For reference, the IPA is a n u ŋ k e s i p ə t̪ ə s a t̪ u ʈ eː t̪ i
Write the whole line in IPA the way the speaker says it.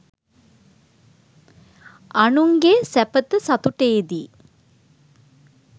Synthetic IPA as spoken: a n u ŋ ɡ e s æ p ə t̪ ə s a t̪ u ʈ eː d̪ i

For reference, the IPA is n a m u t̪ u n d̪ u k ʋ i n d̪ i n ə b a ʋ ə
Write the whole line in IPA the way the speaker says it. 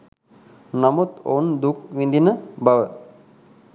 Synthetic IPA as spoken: n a m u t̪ o n d̪ u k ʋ i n d̪ i n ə b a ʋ ə

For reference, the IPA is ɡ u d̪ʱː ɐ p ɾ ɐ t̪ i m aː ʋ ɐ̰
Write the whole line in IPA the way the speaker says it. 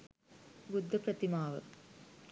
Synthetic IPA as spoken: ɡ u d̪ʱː ɐ p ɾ ɐ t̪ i m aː ʋ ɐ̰

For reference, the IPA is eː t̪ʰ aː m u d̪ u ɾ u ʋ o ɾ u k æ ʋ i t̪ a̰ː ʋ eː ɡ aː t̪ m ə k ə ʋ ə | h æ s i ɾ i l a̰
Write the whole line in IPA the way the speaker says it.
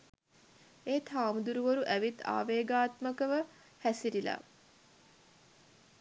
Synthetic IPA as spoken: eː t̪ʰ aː m u d̪ u ɾ u ʋ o ɾ u ʔ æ ʋ i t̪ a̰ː ʋ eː ɡ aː t̪ m ə k ə ʋ ə | h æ s i ɾ i l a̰

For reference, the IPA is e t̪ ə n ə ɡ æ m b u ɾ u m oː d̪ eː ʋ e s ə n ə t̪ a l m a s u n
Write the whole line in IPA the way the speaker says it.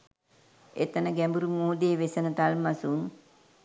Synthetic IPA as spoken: e t̪ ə n ə ɡ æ m b u ɾ u m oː d̪ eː ʋ e s ə n ə t̪ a l m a s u n

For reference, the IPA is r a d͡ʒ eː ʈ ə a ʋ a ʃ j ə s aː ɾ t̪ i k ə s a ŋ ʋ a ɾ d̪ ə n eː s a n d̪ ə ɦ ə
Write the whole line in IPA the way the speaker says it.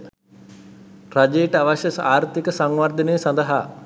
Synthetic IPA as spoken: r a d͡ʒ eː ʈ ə a ʋ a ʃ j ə s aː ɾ t̪ i k ə s a ŋ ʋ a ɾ d̪ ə n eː s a n d̪ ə ɦ a

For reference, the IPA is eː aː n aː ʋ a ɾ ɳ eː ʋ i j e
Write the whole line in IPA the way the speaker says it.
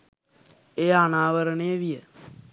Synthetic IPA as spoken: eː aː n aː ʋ ə ɾ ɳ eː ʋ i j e

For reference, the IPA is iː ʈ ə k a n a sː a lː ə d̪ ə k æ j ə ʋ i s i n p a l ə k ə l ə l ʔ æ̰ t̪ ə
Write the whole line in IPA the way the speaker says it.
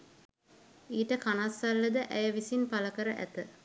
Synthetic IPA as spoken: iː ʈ ə k a n a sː a lː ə d̪ ə ʔ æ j ə ʋ i s i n p a l ə k ə ɾ ə ʔ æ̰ t̪ ə

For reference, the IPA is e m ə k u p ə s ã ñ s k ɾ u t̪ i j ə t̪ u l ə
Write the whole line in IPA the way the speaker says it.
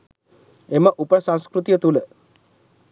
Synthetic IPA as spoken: e m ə ʔ u p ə s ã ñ s k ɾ u t̪ i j ə t̪ u l ə

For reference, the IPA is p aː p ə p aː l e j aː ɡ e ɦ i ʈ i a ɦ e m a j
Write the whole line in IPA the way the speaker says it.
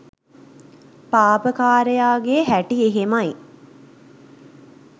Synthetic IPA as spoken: p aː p ə k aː ɾ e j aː ɡ e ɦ æ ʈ i e ɦ e m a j

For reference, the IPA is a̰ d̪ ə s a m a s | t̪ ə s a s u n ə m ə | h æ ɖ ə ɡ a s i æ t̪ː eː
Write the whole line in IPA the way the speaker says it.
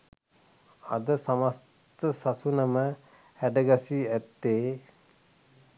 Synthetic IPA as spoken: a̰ d̪ ə s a m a s | t̪ ə s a s u n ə m ə | h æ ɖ ə ɡ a s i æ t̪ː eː

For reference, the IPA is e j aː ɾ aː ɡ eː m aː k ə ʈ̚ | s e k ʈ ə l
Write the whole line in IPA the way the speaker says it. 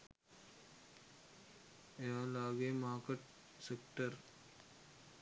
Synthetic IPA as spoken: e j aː l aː ɡ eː m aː k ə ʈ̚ | s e k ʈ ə ɾ

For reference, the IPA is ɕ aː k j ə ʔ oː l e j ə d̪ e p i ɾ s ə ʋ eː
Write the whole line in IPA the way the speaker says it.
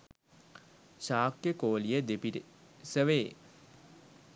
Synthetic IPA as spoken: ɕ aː k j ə k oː l i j ə d̪ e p i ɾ s ə ʋ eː

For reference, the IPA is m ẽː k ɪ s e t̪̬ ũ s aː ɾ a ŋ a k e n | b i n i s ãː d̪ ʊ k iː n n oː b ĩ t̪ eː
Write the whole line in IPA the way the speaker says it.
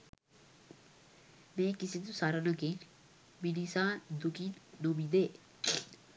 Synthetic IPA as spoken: m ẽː k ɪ s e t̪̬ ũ s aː ɾ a n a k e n | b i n i s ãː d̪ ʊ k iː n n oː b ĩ d̪ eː

